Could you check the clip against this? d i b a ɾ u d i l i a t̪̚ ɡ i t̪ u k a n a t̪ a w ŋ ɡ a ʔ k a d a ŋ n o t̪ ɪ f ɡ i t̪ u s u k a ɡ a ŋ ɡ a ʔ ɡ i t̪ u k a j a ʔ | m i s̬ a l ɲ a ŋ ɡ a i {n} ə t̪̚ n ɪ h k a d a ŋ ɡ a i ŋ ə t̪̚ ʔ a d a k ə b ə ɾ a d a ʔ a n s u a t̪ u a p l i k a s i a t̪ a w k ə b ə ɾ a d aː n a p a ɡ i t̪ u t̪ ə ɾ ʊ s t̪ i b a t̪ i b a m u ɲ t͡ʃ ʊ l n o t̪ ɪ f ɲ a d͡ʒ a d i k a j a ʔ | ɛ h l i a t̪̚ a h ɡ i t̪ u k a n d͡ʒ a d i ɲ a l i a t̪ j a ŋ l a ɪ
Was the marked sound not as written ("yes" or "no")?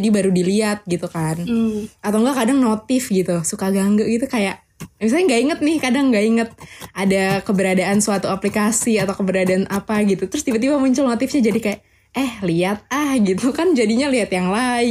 yes